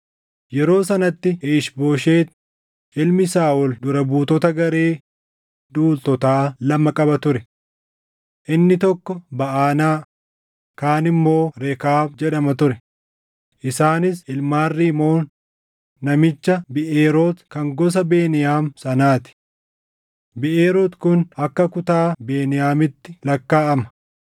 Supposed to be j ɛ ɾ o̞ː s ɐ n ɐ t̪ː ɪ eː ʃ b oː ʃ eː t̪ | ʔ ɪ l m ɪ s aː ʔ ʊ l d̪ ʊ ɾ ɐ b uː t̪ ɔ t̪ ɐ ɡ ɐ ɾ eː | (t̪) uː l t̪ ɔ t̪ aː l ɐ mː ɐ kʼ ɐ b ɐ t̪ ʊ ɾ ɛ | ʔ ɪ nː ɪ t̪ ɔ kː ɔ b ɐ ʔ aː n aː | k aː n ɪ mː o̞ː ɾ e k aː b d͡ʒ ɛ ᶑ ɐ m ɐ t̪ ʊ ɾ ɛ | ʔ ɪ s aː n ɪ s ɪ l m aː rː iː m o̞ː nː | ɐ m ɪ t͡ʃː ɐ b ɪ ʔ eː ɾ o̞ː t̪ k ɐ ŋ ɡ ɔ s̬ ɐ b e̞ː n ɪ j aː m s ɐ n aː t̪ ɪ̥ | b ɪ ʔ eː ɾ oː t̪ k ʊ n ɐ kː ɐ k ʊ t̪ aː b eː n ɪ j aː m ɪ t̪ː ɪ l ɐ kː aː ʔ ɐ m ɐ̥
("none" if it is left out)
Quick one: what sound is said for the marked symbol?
d̪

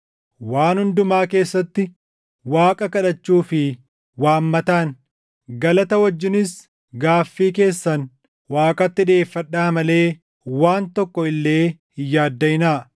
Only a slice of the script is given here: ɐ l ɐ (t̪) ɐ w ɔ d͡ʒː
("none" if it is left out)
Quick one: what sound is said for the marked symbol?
t̪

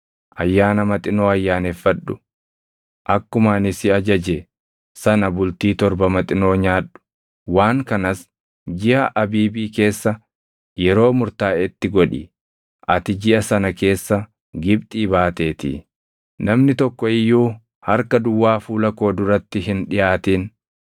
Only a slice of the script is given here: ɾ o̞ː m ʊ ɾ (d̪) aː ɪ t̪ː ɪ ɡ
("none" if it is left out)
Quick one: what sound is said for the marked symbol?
t̪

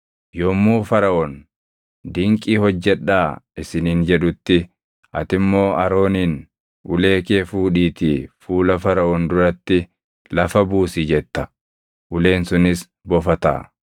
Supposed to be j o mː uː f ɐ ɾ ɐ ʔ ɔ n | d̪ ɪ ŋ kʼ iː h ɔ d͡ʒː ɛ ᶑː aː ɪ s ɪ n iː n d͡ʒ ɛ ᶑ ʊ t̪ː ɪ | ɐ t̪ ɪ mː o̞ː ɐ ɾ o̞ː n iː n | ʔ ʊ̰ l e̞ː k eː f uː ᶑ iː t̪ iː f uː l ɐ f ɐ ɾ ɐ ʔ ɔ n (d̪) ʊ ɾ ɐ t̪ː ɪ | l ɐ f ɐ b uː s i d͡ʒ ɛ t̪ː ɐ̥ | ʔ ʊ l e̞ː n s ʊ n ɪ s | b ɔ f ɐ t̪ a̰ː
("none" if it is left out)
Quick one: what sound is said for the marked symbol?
d̪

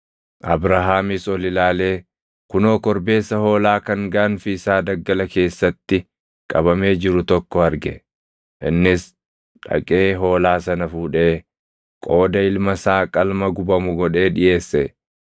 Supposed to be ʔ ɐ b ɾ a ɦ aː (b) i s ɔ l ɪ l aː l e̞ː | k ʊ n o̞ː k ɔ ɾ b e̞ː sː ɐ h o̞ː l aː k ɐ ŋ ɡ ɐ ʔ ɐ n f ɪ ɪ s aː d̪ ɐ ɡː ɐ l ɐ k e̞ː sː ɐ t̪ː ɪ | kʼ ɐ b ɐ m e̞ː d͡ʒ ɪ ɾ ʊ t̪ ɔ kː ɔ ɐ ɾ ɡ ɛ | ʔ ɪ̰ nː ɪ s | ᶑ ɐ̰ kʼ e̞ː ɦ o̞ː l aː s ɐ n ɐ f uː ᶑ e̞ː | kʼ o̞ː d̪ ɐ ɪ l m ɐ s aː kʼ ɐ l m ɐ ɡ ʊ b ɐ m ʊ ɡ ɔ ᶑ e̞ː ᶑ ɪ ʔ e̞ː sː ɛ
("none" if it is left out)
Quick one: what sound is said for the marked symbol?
m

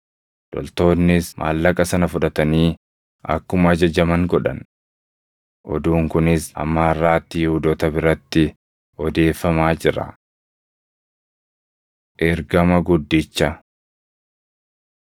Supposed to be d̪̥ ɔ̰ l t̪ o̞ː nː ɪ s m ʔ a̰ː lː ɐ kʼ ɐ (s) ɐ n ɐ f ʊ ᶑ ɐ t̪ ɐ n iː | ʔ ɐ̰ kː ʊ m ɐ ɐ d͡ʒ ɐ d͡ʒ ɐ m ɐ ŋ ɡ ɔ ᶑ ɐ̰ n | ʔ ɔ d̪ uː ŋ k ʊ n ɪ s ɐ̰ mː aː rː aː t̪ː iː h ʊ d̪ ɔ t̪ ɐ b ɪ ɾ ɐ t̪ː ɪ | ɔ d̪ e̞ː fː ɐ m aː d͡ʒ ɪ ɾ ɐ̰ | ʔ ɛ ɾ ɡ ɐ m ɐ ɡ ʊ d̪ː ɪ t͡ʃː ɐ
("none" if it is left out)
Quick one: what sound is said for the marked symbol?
s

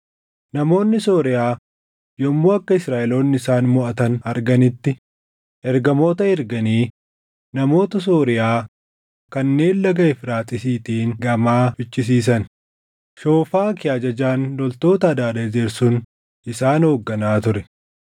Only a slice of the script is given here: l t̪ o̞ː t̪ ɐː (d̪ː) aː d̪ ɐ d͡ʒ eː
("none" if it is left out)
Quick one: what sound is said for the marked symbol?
d̪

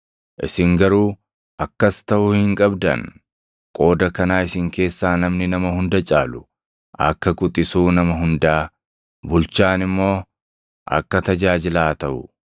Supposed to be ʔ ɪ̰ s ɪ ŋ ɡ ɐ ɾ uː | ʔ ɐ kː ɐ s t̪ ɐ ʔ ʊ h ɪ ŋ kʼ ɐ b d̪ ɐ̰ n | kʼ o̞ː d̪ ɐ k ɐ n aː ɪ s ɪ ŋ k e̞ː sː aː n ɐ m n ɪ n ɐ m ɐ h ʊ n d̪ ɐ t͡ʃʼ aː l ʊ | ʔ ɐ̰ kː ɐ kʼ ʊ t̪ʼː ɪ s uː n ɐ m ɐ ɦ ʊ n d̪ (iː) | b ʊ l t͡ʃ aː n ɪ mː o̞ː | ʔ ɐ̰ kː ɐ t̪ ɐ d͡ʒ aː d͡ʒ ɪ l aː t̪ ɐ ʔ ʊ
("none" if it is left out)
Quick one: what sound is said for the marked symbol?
aː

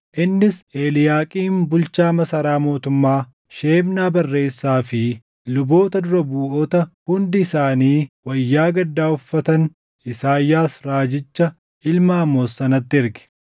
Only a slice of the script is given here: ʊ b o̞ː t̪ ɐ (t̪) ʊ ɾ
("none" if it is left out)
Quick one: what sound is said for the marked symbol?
d̪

